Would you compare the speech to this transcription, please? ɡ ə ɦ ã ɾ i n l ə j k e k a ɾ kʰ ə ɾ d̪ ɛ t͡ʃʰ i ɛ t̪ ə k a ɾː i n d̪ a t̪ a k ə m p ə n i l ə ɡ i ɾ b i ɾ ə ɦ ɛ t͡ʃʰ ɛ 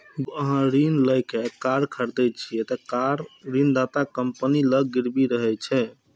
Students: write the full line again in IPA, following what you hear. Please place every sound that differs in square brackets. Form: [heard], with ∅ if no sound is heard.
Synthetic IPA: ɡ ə ɦ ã ɾ i n l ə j k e k a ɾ kʰ ə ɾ d̪ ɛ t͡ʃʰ i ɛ t̪ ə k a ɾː i n d̪ a t̪ a k ə m p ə n i l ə ɡ i ɾ b i ɾ ə ɦ ɛ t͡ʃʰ ɛ

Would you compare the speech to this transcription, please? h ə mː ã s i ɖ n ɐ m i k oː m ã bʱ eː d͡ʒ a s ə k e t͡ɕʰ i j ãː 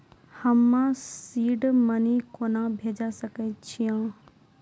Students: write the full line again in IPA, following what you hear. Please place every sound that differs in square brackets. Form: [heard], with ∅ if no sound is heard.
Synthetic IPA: h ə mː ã s [iː] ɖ [m] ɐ [n] i k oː [n] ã bʱ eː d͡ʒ a s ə k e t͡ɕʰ i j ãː

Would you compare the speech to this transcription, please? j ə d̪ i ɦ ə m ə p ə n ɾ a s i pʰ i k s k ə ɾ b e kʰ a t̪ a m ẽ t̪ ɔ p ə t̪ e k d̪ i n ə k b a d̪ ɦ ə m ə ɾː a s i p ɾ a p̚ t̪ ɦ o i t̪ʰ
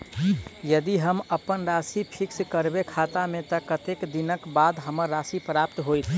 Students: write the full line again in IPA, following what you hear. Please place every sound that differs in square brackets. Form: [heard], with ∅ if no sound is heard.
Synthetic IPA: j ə d̪ i ɦ ə m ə p ə n ɾ a s i pʰ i k s k ə ɾ b e kʰ a t̪ a m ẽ t̪ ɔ [k] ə t̪ e k d̪ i n ə k b a d̪ ɦ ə m ə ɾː a s i p ɾ a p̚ t̪ ɦ o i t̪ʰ

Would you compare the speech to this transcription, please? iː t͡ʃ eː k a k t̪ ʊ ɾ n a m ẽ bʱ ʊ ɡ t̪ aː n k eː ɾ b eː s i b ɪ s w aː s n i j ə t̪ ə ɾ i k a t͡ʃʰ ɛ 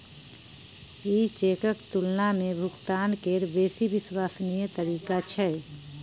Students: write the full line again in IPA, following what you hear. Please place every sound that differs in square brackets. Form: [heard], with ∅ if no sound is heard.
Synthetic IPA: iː t͡ʃ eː k [ə] k t̪ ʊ [l] n a m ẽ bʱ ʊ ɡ t̪ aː n k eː ɾ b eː s i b ɪ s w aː s n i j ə t̪ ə ɾ [iː] k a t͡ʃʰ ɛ

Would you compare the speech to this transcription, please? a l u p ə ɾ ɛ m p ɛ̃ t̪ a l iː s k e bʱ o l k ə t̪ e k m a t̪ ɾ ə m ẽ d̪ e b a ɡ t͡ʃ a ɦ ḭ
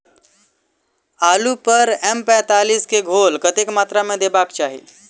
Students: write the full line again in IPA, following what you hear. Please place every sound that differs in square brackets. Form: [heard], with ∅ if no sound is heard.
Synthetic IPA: a l u p ə ɾ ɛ m p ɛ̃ t̪ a l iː s k e [ɡʱ] o l k ə t̪ e k m a t̪ ɾ [a] m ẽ d̪ e b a [k] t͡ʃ a ɦ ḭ

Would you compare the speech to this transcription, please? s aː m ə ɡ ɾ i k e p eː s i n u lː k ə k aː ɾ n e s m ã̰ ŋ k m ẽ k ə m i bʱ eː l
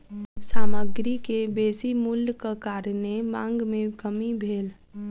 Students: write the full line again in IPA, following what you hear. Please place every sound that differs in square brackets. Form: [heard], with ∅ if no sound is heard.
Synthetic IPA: s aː m ə ɡ ɾ i k e [b] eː s i [m] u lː k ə k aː ɾ n e [∅] m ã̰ ŋ [ɡ] m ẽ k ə m i bʱ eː l

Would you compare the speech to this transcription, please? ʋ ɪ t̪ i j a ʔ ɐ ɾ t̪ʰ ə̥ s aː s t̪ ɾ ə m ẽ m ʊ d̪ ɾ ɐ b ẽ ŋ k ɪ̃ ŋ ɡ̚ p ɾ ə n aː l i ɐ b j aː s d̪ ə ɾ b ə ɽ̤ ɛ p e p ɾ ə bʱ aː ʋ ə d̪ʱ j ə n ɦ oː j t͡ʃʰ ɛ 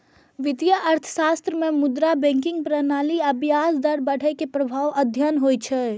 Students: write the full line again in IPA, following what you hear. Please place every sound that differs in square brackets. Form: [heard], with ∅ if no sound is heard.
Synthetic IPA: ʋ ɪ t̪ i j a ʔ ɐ ɾ t̪ʰ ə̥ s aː s t̪ ɾ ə m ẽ m ʊ d̪ ɾ [a] b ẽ ŋ k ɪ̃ ŋ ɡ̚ p ɾ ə n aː l i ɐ b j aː s d̪ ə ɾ b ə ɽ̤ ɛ [k] e p ɾ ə bʱ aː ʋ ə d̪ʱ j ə n ɦ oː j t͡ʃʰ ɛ

